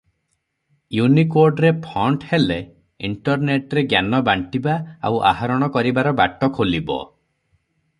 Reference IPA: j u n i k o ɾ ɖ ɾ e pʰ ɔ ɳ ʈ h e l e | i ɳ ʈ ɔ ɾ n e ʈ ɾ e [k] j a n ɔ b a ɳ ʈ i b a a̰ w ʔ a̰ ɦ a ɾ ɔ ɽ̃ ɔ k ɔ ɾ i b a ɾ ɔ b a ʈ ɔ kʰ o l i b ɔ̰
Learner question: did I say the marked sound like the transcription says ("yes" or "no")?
no